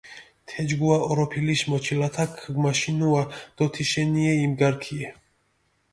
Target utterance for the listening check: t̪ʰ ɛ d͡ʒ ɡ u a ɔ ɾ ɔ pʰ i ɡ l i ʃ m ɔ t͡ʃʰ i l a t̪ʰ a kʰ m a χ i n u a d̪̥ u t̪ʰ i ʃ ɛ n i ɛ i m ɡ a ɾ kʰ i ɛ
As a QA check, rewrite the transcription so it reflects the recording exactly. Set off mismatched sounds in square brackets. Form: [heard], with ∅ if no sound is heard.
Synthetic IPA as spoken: t̪ʰ ɛ d͡ʒ ɡ u a ɔ ɾ ɔ pʰ i [∅] l i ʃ m ɔ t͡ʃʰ i l a t̪ʰ a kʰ m a [ʃ] i n u a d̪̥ [ɔ] t̪ʰ i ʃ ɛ n i ɛ i m ɡ a ɾ kʰ i ɛ